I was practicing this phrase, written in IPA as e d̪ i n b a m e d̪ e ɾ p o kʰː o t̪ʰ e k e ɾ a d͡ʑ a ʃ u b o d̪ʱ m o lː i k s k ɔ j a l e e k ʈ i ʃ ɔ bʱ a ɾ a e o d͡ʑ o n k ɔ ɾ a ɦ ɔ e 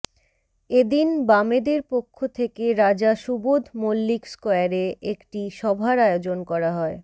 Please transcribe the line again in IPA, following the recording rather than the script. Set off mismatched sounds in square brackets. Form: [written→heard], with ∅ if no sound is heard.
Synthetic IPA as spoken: e d̪ i n b a m e d̪ e ɾ p o kʰː o t̪ʰ e k e ɾ a d͡ʑ a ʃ u b o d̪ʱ m o lː i k s k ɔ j a [l→ɾ] e e k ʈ i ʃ ɔ bʱ a ɾ a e o d͡ʑ o n k ɔ ɾ a ɦ ɔ e